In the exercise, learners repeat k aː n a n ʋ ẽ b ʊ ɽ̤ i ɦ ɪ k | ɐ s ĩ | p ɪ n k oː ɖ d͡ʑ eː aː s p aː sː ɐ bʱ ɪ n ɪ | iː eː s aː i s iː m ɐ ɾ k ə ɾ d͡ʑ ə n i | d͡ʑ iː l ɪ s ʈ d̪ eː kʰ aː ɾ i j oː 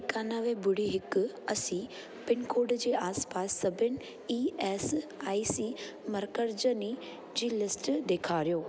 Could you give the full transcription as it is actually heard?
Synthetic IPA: k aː n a ʋ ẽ b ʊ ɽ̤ i ɦ ɪ k | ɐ s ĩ | p ɪ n k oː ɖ d͡ʑ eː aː s p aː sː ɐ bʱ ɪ n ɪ | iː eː s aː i s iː m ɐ ɾ k ə ɾ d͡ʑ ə n i | d͡ʑ iː l ɪ s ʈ d̪ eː kʰ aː ɾ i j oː